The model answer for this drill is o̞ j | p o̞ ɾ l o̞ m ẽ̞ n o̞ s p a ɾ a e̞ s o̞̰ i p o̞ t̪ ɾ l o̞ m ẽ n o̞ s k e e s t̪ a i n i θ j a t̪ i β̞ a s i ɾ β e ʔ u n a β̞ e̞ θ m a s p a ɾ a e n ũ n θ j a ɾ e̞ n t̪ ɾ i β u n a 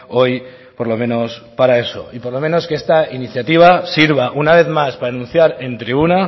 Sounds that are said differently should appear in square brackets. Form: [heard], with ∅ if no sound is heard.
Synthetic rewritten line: o̞ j | p o̞ ɾ l o̞ m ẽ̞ n o̞ s p a ɾ a e̞ s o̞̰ i p o̞ [∅] ɾ l o̞ m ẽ n o̞ s k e e s t̪ a i n i θ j a t̪ i β̞ a s i ɾ β [a] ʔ u n a β̞ e̞ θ m a s p a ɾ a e n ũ n θ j a ɾ e̞ n t̪ ɾ i β u n a